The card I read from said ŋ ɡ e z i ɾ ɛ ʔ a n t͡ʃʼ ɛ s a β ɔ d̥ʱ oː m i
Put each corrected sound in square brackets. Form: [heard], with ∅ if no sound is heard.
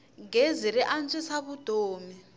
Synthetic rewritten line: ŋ ɡ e z i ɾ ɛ ʔ a n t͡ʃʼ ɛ s a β [u] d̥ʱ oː m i